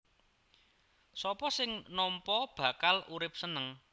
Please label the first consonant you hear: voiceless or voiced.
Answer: voiceless